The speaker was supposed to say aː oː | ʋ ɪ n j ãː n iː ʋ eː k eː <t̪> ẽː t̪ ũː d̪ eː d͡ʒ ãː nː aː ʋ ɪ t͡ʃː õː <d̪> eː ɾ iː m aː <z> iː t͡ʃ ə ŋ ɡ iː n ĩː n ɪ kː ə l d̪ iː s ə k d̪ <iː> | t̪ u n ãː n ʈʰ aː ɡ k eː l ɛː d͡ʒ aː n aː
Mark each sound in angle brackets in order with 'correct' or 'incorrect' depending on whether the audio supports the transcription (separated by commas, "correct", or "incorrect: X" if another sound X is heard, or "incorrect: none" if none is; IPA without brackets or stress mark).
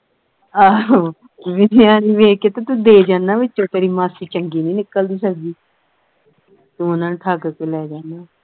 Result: correct, incorrect: t̪, incorrect: s, correct